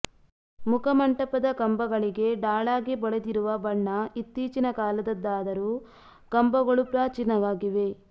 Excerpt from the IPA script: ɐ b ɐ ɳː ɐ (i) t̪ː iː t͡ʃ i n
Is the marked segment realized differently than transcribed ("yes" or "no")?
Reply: no